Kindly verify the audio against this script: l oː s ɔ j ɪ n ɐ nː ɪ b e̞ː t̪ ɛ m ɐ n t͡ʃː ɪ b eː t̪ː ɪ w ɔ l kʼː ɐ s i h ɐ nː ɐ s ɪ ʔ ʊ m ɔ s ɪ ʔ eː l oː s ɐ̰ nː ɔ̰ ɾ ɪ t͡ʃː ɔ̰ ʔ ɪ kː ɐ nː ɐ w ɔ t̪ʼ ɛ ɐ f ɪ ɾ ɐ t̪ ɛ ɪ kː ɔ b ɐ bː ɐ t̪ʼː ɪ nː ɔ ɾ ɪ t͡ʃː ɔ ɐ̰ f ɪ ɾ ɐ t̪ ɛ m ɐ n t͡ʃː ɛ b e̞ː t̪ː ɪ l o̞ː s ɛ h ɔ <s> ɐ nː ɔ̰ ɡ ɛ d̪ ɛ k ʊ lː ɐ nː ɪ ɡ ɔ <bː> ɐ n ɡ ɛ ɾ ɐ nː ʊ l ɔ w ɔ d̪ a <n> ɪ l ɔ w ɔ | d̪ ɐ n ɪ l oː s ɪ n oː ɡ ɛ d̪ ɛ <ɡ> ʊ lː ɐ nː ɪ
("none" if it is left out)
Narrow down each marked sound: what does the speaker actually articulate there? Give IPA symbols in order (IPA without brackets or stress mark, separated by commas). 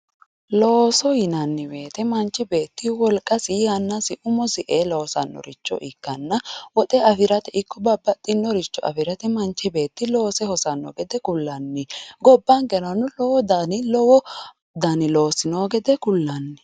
s, bː, n, k